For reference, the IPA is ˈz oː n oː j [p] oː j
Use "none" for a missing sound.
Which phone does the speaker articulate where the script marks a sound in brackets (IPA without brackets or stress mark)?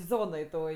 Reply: t